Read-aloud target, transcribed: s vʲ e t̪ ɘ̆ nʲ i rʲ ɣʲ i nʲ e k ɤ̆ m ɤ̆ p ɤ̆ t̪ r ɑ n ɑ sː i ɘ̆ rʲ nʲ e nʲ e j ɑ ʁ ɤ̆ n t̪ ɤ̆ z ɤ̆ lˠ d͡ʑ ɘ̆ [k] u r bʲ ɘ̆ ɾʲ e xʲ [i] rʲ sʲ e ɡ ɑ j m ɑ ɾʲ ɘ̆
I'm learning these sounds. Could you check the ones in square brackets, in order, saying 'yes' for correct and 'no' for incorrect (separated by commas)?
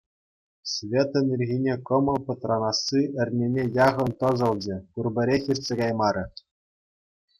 yes, yes